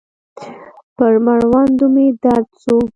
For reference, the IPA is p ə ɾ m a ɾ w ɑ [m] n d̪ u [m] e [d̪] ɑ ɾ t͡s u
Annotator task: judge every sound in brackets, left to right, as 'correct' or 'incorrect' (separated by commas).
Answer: incorrect, correct, correct